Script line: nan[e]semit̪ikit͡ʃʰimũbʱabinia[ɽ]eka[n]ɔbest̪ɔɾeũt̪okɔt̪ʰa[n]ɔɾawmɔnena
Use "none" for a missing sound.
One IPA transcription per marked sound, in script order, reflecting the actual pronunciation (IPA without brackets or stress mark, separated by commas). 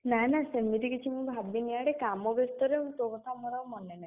a, ɽ, m, m